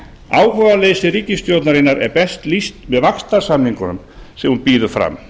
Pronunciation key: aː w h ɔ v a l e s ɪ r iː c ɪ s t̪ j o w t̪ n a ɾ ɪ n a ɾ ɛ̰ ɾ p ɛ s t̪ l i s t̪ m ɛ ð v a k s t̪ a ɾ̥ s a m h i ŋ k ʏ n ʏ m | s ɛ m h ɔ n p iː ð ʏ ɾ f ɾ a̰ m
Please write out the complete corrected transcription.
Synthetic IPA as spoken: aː w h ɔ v a l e s ɪ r iː c ɪ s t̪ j o w t̪ n a ɾ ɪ n a ɾ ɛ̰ ɾ p ɛ s t̪ l i s t̪ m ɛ ð v a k s t̪ a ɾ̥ s a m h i ŋ k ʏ n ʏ m | s ɛ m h u n p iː ð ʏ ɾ f ɾ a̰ m

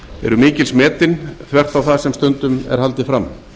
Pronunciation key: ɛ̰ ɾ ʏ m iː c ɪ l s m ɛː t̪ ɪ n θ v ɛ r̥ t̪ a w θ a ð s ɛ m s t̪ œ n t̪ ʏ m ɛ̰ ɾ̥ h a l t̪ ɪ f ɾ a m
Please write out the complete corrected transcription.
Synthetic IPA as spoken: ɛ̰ ɾ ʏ m iː c ɪ l s m ɛː t̪ ɪ n θ v ɛ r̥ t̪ a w θ a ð s ɛ m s t̪ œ n t̪ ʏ m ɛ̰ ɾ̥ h a l t̪ ɪ f ɾ a m

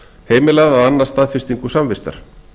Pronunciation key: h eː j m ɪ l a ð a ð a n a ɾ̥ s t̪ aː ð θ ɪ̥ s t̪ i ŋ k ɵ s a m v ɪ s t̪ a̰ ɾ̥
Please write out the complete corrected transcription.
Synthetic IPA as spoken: h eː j m ɪ l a ð a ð a nː a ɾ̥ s t̪ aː ð f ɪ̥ s t̪ i ŋ k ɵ s a m v ɪ s t̪ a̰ ɾ̥

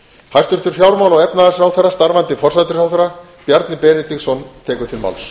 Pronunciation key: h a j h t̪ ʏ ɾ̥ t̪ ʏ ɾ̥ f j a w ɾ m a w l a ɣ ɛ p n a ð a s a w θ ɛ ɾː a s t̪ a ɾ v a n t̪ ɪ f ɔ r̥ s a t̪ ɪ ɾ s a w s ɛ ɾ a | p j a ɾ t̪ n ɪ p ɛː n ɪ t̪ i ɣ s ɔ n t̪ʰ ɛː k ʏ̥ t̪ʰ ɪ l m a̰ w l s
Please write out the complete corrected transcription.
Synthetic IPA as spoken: h a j s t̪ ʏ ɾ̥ t̪ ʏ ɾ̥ f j a w ɾ m a w l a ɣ ɛ p n a ð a s a w θ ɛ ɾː a s t̪ a ɾ v a n t̪ ɪ f ɔ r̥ s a t̪ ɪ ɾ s a w θ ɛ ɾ a | p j a ɾ t̪ n ɪ p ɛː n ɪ t̪ i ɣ s ɔ n t̪ʰ ɛː k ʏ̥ t̪ʰ ɪ l m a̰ w l s

